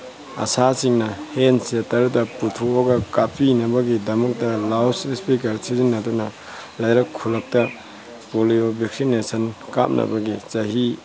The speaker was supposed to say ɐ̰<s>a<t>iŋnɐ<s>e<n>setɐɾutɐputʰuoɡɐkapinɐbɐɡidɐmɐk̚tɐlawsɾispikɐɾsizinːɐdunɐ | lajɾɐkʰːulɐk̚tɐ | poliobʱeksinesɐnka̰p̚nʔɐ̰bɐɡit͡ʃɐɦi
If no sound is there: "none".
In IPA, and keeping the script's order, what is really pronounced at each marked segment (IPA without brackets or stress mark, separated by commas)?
s, s, h, n